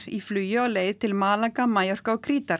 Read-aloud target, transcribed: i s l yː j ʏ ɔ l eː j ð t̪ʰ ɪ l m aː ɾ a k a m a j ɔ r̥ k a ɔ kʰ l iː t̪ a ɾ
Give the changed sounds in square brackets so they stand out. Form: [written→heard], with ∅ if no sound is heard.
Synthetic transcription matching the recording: i [s→f] l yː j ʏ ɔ l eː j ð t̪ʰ ɪ l m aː [ɾ→l] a k a m a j ɔ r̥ k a ɔ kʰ [l→ɾ] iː t̪ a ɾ